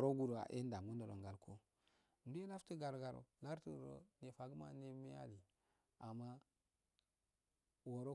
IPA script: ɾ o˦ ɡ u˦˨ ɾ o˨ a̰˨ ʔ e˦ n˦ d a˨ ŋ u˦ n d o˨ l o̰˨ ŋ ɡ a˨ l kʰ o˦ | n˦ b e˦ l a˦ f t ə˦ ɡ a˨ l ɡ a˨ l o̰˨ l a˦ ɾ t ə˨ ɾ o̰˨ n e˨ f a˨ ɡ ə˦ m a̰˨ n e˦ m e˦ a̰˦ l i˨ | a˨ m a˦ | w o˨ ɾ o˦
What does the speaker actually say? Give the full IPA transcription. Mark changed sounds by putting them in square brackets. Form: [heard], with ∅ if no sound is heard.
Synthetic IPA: ɾ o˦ ɡ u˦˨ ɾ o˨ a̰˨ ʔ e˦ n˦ d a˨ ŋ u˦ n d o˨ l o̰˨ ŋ ɡ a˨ l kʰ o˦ | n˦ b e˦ l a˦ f t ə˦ ɡ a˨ [ɾ] ɡ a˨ [ɾ] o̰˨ l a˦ ɾ t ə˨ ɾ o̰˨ n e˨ f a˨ ɡ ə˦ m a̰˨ n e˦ m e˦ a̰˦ l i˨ | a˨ m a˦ | w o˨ ɾ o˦